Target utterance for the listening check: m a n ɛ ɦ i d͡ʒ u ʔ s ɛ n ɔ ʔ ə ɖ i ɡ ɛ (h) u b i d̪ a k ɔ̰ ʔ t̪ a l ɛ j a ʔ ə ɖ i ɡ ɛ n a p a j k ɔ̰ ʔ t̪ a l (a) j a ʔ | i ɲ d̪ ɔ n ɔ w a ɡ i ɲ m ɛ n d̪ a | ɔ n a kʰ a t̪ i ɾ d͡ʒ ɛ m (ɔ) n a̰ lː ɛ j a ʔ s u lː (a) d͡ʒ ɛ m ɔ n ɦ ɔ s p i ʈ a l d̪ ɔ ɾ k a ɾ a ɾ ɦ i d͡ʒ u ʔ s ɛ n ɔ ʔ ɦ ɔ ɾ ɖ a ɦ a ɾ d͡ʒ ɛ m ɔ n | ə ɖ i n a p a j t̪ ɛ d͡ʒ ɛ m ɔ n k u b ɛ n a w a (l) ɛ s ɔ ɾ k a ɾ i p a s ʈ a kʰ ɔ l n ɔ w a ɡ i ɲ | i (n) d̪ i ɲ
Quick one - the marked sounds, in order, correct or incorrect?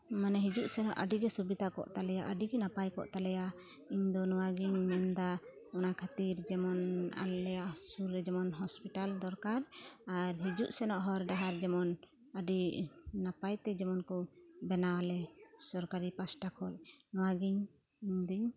incorrect, incorrect, correct, incorrect, correct, incorrect

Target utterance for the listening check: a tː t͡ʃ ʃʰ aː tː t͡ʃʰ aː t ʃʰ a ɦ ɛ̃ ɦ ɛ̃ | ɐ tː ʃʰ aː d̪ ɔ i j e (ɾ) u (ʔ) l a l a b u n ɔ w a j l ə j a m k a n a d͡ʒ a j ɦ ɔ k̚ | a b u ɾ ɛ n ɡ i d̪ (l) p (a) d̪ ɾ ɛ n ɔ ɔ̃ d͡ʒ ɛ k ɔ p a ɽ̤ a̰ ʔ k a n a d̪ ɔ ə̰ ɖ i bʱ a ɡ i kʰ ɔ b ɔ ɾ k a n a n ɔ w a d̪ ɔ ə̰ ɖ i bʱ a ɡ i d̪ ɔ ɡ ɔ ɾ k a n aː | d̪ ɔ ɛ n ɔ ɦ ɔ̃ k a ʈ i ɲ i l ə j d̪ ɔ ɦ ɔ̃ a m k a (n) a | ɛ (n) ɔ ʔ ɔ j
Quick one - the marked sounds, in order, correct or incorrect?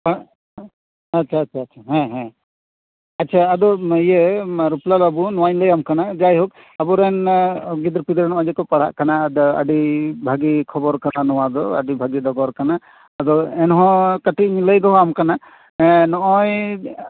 correct, incorrect, incorrect, incorrect, correct, correct

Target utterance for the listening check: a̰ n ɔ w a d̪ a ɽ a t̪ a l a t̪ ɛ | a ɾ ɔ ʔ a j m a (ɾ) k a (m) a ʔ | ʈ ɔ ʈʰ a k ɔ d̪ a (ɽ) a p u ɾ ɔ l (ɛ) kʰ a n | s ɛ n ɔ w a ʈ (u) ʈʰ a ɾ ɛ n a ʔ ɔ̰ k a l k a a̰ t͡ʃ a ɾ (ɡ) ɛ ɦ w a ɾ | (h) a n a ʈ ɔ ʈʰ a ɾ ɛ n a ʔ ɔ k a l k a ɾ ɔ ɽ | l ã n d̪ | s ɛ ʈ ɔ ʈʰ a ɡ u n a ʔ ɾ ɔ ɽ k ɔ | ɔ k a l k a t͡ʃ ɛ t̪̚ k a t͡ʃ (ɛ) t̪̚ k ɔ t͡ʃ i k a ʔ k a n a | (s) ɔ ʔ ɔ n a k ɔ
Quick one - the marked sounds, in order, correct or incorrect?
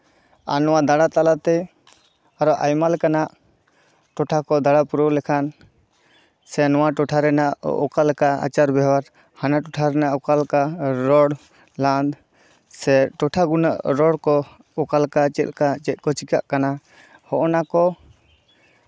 incorrect, incorrect, correct, correct, incorrect, incorrect, correct, correct, incorrect

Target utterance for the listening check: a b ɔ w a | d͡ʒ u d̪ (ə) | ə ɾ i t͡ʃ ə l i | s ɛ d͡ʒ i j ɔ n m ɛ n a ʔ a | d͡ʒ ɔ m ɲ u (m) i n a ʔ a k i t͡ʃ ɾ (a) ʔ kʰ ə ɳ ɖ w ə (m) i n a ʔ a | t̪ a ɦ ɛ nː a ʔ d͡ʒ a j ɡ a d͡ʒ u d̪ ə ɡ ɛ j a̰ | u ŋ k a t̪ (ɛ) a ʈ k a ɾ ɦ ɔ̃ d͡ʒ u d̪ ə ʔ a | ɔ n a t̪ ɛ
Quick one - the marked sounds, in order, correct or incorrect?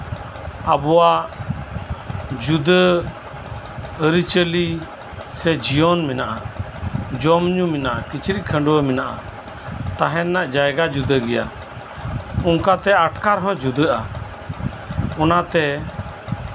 correct, correct, incorrect, correct, correct

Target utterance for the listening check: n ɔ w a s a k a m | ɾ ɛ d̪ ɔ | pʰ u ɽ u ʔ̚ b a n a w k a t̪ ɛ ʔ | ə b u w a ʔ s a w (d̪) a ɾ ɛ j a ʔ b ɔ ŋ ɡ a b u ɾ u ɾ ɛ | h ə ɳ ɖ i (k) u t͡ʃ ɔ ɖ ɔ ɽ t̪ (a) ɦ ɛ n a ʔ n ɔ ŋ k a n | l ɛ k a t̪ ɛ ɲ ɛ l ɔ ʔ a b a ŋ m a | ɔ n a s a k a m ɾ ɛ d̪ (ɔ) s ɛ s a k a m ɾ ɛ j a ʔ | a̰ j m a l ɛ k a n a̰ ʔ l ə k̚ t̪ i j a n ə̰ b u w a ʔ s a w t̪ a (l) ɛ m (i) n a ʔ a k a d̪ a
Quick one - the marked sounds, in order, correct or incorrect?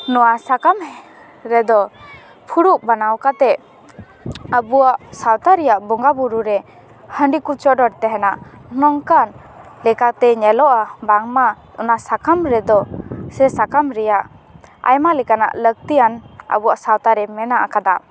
incorrect, correct, incorrect, correct, incorrect, incorrect

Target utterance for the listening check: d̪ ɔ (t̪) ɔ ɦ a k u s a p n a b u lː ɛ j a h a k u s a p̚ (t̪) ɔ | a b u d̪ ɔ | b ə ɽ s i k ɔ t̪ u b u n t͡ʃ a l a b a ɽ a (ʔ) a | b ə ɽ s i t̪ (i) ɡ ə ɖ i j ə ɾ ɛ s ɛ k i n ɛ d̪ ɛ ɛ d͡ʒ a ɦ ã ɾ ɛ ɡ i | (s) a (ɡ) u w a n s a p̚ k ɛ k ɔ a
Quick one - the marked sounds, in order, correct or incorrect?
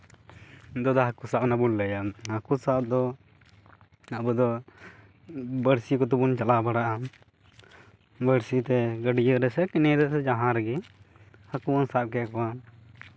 incorrect, incorrect, correct, incorrect, incorrect, incorrect

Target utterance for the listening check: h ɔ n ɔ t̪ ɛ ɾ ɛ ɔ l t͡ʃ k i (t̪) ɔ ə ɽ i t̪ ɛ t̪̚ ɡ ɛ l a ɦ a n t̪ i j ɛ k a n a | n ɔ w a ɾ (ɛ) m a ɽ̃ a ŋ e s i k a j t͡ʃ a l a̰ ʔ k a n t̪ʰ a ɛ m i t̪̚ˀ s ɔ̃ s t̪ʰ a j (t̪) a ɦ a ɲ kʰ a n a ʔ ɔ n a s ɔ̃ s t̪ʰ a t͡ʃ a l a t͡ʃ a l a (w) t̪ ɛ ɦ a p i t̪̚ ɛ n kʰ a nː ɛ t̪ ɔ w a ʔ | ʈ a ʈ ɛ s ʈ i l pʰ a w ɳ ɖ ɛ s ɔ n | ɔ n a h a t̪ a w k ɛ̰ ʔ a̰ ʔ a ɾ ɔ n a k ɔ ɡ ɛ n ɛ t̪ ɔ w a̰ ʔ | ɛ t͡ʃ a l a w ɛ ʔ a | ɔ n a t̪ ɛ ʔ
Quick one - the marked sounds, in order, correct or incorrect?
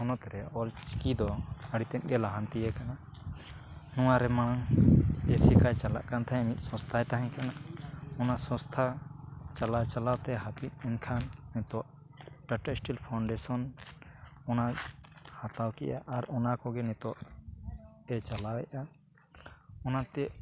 incorrect, correct, correct, correct

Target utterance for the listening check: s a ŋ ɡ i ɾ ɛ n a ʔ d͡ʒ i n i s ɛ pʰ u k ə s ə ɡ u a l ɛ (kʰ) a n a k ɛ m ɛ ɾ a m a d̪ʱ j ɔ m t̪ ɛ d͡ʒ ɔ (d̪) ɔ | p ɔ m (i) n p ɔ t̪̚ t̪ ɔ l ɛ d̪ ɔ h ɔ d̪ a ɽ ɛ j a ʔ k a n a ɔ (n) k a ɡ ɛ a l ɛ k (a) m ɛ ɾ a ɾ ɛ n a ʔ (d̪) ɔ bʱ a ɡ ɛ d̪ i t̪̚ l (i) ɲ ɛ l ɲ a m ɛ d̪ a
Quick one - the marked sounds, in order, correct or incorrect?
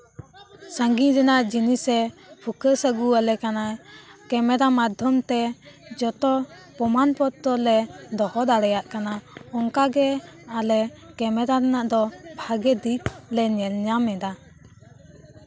incorrect, incorrect, incorrect, incorrect, incorrect, correct, incorrect

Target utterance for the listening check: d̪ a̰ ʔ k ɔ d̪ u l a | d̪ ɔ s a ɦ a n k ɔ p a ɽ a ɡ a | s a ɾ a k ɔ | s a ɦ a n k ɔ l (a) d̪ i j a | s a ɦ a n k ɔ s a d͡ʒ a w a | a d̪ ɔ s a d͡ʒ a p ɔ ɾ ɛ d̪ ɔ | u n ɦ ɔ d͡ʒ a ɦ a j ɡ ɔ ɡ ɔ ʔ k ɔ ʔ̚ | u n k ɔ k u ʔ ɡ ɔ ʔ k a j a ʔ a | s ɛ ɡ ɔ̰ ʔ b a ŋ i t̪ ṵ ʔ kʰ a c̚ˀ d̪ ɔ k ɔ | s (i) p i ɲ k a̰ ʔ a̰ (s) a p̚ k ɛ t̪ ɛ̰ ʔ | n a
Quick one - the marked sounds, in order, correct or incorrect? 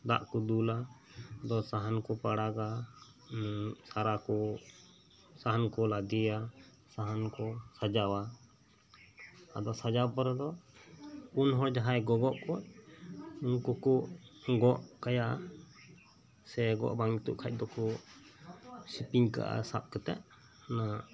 correct, correct, correct

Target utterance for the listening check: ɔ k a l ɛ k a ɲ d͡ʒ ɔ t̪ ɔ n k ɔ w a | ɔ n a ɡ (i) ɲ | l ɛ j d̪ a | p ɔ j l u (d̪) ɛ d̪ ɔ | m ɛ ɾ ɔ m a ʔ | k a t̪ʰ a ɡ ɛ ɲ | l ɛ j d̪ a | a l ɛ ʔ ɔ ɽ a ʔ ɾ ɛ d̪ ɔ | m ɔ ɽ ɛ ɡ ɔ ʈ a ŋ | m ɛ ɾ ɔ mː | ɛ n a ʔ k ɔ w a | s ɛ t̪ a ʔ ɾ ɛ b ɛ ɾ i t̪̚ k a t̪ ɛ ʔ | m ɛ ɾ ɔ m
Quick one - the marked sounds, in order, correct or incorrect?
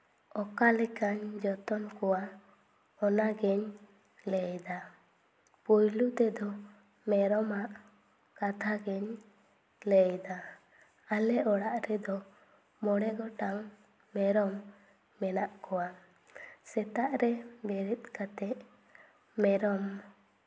incorrect, incorrect

